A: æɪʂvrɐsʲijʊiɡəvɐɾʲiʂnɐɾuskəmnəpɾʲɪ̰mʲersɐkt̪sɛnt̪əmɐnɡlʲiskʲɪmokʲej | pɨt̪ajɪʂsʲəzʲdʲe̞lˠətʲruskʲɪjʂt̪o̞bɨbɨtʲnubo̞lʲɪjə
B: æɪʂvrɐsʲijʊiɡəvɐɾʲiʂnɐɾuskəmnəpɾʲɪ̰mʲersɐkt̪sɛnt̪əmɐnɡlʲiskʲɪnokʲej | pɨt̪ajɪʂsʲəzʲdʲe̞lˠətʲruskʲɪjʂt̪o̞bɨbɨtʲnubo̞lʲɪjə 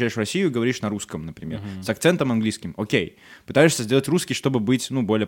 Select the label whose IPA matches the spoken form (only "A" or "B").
A